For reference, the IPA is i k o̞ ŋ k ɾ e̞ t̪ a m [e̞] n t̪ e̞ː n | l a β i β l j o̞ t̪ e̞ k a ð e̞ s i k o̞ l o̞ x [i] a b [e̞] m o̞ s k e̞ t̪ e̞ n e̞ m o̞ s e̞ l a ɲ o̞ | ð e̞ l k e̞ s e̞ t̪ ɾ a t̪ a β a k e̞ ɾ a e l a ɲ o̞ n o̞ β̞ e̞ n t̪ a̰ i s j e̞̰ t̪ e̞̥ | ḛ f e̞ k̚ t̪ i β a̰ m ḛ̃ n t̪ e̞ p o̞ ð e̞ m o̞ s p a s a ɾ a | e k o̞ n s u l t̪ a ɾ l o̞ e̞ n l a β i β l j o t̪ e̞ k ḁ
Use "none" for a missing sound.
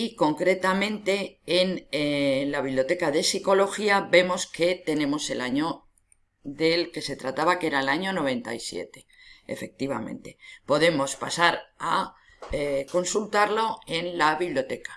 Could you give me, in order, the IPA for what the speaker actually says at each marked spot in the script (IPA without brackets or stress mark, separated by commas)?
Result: ẽ̞, i, e̞